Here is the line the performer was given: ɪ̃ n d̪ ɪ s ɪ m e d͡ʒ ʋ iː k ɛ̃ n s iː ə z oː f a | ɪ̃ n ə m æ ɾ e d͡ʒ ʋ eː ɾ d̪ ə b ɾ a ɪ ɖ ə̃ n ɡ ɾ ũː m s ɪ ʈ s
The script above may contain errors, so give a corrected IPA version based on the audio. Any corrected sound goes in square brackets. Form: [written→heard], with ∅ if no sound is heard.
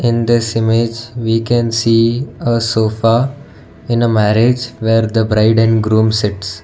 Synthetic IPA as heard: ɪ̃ n d̪ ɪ s ɪ m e d͡ʒ ʋ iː k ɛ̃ n s iː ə [z→s] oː f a | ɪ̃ n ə m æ ɾ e d͡ʒ ʋ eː ɾ d̪ ə b ɾ a ɪ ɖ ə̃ n ɡ ɾ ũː m s ɪ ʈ s

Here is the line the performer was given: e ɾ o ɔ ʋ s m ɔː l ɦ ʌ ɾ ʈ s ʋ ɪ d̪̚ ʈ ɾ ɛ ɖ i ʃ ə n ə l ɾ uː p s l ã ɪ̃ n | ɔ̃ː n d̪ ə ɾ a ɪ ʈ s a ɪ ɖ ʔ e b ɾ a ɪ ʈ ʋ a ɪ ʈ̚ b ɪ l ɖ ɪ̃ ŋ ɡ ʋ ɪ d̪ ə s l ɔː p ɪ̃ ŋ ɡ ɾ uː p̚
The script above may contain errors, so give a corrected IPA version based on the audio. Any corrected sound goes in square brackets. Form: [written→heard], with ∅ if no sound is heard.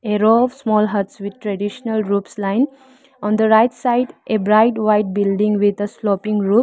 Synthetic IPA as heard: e ɾ o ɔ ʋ s m ɔː l ɦ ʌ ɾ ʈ s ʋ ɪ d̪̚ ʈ ɾ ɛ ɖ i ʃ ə n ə l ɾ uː p s l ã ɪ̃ n | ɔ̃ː n d̪ ə ɾ a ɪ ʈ s a ɪ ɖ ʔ e b ɾ a ɪ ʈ ʋ a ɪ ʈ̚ b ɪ l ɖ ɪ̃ ŋ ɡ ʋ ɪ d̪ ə s l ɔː p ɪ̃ ŋ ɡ ɾ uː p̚

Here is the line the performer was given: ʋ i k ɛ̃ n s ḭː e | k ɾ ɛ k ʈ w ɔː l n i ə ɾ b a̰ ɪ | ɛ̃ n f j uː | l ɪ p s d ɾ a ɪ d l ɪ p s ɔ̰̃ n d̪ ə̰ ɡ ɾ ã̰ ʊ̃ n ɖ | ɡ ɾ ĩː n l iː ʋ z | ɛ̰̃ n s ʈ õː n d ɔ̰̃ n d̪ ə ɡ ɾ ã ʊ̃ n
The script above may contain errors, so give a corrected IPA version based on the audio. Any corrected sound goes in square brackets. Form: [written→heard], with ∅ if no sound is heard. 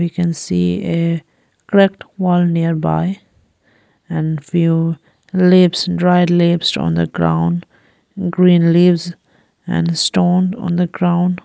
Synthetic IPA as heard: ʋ i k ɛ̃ n s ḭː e | k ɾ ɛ k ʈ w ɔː l n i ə ɾ b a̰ ɪ | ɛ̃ n f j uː | l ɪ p s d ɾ a ɪ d l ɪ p s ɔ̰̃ n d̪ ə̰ ɡ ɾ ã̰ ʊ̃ n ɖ | ɡ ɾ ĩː n l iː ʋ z | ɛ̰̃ n s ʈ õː n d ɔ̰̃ n d̪ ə ɡ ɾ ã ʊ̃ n

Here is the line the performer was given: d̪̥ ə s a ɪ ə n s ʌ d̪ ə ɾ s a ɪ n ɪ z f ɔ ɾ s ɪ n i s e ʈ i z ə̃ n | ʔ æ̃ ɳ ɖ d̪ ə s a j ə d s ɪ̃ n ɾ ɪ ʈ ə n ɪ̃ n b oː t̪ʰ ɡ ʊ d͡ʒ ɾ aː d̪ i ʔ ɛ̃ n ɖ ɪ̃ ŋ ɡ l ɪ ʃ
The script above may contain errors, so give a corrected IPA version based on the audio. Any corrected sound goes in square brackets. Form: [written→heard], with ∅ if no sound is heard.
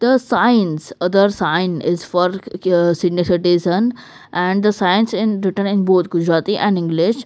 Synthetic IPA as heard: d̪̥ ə s a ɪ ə n s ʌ d̪ ə ɾ s a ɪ n ɪ z f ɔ ɾ s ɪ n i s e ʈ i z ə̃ n | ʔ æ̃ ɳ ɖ d̪ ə s a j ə [d→n] s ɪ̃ n ɾ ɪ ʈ ə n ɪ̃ n b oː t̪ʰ ɡ ʊ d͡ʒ ɾ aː [d̪→t̪] i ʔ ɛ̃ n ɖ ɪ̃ ŋ ɡ l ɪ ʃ

